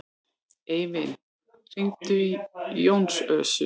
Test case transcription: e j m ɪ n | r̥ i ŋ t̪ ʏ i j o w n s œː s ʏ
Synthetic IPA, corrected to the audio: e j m ɪ n | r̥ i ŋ t̪ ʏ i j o w n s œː s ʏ